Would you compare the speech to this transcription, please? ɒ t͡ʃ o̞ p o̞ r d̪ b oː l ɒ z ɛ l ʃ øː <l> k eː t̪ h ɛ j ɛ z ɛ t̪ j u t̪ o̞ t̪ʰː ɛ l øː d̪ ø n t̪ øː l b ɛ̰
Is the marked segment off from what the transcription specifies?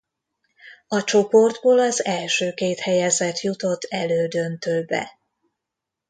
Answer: yes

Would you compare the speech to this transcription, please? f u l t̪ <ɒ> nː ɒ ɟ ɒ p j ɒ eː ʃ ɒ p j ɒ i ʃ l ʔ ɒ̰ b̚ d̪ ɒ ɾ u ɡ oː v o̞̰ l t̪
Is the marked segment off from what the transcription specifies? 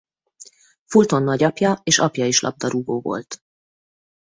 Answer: yes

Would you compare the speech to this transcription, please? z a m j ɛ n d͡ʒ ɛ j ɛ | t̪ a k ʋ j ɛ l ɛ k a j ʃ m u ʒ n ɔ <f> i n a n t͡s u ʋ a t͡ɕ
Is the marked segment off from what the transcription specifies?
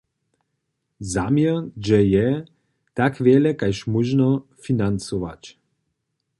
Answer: no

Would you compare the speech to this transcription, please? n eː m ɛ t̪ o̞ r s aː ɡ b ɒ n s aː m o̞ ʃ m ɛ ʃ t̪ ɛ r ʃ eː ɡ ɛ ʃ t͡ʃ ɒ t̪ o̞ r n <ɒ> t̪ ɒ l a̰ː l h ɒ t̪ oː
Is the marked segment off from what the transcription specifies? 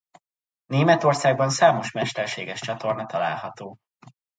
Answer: no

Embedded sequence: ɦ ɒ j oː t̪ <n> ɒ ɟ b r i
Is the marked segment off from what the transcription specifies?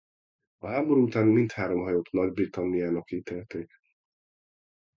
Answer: no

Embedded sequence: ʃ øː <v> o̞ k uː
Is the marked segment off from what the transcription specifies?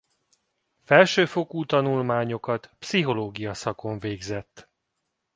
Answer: yes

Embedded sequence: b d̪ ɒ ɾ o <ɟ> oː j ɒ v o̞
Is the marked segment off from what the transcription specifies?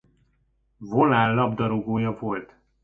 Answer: yes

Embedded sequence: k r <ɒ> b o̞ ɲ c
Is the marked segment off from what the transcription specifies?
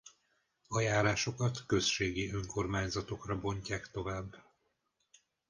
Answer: no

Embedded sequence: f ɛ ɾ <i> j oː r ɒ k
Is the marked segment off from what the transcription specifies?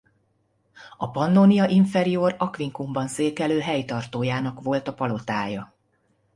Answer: no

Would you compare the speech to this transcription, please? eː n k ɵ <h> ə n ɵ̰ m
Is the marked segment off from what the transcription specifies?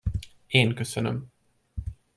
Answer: yes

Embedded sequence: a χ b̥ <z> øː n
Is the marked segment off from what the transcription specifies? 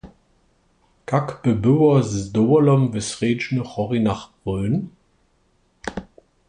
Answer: yes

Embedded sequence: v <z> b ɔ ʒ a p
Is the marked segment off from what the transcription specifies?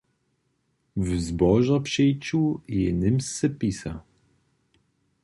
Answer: no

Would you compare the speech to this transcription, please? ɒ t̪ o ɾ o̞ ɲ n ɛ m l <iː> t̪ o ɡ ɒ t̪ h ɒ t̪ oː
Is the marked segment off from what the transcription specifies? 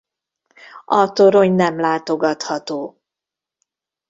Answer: yes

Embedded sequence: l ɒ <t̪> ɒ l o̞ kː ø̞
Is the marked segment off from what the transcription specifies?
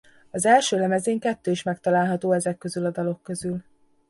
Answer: yes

